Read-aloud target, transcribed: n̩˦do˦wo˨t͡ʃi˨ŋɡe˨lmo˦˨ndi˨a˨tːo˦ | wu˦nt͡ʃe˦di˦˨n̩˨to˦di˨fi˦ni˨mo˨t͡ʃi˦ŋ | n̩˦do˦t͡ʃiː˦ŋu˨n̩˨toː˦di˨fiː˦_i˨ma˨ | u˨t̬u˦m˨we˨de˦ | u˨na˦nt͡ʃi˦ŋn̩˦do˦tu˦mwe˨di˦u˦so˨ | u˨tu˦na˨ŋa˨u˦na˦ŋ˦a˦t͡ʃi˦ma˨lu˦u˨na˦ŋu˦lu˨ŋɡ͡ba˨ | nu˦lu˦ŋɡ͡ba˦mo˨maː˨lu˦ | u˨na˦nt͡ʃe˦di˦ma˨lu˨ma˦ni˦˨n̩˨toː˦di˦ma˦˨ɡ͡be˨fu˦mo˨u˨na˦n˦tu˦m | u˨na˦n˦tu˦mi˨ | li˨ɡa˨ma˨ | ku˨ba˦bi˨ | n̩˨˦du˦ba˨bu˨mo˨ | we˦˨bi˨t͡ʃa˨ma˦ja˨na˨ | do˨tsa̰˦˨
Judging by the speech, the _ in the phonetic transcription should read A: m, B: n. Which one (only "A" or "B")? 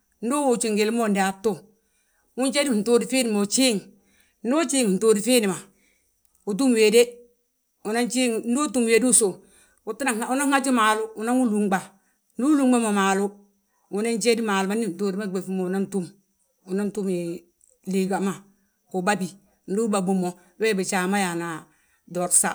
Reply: B